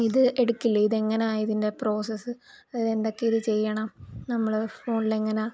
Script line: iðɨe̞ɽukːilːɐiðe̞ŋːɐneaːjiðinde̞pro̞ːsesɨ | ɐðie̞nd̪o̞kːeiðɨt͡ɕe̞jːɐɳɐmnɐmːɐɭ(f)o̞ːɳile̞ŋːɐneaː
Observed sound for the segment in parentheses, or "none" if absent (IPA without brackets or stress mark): f